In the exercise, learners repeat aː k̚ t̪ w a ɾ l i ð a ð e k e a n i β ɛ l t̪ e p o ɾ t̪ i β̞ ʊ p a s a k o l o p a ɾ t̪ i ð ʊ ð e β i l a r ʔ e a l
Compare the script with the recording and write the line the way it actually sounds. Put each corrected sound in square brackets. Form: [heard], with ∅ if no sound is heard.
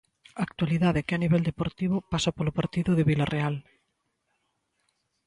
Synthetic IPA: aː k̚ t̪ w a [∅] l i ð a ð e k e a n i β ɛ l [d̪] e p o ɾ t̪ i β̞ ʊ p a s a [p] o l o p a ɾ t̪ i ð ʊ ð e β i l a r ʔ e a l

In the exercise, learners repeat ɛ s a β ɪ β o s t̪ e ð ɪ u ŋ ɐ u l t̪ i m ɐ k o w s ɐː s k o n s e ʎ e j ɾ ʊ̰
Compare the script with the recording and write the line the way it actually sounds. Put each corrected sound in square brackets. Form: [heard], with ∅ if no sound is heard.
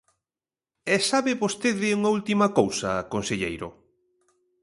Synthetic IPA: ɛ s a β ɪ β o s t̪ e ð ɪ u ŋ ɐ u l t̪ i m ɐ k o w s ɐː [∅] k o n s e ʎ e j ɾ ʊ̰

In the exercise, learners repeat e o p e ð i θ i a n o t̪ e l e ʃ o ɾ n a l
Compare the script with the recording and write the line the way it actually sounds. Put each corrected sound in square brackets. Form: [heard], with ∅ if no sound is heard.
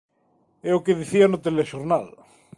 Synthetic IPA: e o [k] e ð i θ i a n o t̪ e l e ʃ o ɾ n a l

